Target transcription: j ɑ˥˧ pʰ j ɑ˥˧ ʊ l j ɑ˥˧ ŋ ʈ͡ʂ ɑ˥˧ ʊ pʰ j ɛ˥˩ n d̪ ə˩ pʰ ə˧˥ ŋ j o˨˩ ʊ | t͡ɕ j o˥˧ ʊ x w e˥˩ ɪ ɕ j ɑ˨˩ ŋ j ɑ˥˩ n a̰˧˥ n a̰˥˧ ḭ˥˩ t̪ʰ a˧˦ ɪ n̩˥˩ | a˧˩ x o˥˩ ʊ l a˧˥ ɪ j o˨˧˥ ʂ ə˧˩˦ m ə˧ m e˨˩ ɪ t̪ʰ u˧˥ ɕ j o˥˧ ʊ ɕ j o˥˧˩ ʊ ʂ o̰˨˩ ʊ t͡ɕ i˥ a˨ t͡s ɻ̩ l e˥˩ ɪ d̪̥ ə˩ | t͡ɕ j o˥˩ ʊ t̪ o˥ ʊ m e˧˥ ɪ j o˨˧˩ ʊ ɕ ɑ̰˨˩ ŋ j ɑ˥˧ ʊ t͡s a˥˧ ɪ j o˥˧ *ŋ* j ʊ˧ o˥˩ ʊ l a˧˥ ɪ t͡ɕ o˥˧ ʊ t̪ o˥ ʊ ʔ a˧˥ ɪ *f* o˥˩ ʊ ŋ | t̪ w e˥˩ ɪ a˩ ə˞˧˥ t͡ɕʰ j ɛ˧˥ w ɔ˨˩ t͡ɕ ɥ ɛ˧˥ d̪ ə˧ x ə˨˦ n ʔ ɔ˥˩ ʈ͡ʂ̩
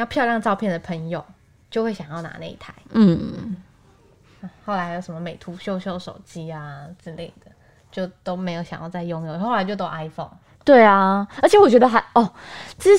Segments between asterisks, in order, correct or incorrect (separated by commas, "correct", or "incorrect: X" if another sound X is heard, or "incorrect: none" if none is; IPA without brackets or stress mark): correct, correct